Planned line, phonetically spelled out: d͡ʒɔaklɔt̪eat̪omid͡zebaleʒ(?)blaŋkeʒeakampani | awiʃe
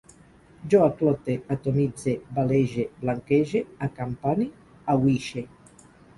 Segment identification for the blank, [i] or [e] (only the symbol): e